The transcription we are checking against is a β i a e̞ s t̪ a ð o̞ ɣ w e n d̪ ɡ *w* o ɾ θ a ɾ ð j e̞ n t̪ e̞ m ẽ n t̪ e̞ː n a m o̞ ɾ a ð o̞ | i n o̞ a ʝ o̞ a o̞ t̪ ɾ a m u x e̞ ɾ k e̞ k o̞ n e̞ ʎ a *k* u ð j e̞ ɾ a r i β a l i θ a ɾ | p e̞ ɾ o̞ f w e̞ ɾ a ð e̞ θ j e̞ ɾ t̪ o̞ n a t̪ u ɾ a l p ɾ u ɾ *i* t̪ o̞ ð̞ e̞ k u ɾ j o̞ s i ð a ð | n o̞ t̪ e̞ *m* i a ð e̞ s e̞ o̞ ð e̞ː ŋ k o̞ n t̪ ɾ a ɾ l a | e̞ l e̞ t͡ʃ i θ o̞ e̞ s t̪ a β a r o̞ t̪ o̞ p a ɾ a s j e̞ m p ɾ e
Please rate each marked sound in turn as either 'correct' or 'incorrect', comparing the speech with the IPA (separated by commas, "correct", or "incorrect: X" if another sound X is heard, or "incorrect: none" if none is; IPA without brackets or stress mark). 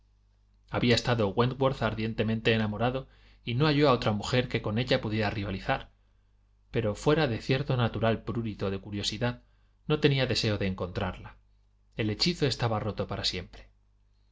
correct, incorrect: p, correct, incorrect: n